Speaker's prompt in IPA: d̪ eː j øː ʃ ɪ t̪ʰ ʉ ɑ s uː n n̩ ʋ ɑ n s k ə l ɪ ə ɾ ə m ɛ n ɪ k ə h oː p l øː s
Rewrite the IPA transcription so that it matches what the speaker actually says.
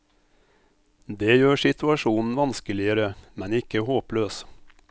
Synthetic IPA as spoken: d̪ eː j øː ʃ ɪ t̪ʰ ʉ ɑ ʃ uː n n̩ ʋ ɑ n s k ə l ɪ ə ɾ ə m ɛ n ɪ k ə h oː p l øː s